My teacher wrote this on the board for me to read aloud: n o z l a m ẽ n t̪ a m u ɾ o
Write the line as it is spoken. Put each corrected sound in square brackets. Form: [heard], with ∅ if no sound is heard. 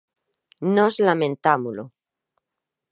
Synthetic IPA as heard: n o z l a m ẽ n t̪ a m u [l] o